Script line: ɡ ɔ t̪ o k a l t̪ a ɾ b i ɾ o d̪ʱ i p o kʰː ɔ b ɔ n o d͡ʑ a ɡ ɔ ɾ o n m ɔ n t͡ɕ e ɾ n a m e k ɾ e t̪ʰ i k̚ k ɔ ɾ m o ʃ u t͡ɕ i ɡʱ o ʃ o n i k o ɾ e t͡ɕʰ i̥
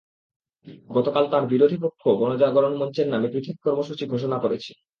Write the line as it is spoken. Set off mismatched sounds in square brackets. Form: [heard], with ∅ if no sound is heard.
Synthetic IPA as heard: ɡ ɔ t̪ o k a l t̪ a ɾ b i ɾ o d̪ʱ i p o kʰː [o] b ɔ n o d͡ʑ a ɡ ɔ ɾ o n m ɔ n t͡ɕ e ɾ n a m e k ɾ [i] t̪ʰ i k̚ k ɔ ɾ m o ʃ u t͡ɕ i ɡʱ o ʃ o n [a] k o ɾ e t͡ɕʰ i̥